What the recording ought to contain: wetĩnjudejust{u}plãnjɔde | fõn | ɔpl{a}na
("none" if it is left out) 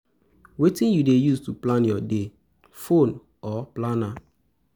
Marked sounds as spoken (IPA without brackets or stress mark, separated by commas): u, a